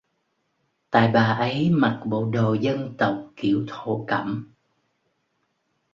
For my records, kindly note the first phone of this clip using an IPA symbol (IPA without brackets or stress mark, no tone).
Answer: t̪